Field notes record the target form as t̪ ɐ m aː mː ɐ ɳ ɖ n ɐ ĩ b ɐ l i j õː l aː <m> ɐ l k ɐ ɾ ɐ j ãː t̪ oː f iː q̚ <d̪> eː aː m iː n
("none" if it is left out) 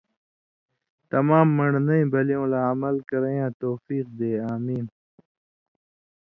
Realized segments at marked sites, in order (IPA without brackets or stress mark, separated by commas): m, d̪